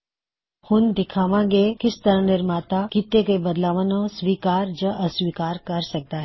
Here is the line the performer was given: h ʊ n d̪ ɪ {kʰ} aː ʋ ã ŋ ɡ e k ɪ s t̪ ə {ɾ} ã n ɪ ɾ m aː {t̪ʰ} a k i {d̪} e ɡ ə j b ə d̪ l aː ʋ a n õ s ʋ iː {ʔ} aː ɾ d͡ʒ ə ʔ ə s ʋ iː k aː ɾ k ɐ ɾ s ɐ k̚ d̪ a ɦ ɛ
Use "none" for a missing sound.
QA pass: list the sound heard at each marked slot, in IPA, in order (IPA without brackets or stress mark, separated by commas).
kʰ, ɾ, t̪, t̪, k